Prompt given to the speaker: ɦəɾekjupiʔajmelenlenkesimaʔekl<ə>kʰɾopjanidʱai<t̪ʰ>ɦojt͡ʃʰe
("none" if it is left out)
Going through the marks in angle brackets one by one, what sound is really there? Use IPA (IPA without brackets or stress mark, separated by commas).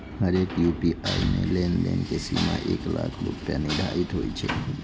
a, t̪